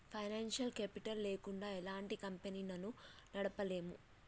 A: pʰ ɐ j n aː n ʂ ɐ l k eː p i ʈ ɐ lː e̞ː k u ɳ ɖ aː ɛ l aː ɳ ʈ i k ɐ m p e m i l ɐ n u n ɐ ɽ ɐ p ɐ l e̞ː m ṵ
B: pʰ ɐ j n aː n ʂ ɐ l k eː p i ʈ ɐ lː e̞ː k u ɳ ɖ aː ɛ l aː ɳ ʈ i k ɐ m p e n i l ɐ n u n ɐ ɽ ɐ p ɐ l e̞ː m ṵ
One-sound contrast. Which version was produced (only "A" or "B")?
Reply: B